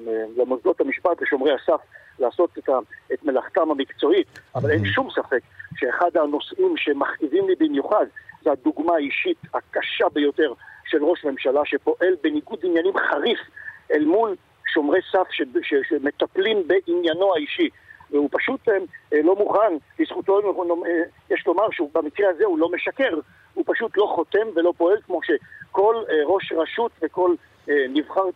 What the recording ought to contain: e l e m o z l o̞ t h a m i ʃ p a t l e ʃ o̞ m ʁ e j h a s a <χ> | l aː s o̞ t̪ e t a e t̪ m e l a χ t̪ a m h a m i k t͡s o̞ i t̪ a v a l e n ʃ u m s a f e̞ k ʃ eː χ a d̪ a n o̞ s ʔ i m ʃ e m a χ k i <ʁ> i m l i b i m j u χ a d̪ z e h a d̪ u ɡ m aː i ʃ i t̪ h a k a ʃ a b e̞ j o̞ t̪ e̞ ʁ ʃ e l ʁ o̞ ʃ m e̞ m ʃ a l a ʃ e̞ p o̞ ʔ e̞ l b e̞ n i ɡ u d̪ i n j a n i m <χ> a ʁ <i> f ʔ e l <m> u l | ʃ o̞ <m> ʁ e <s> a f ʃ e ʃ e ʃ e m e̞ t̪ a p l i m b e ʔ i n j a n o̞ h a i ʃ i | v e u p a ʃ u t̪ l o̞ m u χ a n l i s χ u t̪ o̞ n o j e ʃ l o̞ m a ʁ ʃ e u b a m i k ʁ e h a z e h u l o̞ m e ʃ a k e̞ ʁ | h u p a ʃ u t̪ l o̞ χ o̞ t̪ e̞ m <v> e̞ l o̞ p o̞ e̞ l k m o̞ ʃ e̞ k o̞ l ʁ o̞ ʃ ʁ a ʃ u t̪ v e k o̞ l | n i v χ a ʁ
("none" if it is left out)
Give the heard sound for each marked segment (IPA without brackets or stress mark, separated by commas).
f, v, χ, i, m, m, s, v